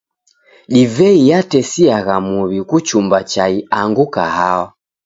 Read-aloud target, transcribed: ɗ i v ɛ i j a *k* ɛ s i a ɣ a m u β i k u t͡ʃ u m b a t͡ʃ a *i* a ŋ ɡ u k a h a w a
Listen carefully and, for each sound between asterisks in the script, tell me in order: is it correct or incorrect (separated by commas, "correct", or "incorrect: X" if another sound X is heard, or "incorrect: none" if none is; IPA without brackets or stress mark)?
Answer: incorrect: t, correct